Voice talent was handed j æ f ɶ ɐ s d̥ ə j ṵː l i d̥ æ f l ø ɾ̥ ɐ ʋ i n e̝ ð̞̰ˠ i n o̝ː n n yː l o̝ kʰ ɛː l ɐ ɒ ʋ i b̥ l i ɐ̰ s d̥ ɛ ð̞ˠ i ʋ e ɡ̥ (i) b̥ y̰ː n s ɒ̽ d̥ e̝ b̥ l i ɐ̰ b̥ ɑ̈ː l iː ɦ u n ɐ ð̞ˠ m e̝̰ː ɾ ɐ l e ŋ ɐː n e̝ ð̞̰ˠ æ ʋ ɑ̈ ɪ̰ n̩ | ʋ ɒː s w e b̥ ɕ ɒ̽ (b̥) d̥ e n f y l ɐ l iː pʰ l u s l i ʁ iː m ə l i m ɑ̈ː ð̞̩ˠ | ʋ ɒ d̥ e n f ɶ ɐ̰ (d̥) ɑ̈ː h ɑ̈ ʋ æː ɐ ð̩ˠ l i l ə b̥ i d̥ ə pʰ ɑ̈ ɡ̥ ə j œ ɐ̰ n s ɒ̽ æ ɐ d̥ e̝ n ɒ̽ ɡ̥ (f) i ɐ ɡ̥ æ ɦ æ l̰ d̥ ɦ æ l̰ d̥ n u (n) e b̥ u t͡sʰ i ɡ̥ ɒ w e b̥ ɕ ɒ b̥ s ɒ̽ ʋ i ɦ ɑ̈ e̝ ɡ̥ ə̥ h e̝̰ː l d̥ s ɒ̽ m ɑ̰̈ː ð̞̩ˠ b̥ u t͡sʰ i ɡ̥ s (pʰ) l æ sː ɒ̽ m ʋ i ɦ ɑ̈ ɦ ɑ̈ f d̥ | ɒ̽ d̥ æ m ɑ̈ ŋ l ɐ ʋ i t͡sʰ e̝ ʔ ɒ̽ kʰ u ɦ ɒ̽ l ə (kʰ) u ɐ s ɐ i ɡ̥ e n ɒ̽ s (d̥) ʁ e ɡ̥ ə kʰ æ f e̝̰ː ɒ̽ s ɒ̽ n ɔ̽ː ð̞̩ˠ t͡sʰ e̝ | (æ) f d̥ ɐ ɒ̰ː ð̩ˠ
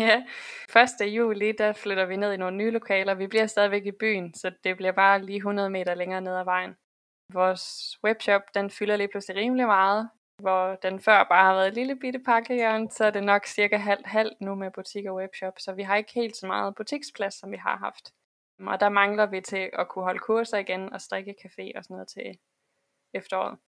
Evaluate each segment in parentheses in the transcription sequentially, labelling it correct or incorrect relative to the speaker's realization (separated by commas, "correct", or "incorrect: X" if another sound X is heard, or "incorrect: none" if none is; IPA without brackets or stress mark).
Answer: correct, correct, incorrect: b̥, incorrect: s, incorrect: m, correct, correct, correct, incorrect: e